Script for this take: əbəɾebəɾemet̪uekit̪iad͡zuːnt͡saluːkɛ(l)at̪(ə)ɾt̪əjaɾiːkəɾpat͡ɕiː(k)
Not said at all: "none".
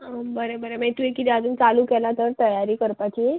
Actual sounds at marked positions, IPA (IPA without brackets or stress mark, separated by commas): l, ə, none